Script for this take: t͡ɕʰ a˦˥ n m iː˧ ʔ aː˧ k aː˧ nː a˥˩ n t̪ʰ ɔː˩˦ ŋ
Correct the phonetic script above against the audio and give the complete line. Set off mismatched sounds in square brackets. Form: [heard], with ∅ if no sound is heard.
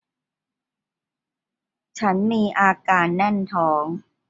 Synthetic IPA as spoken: t͡ɕʰ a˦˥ n m iː˧ ʔ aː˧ k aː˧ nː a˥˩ n t̪ʰ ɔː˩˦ ŋ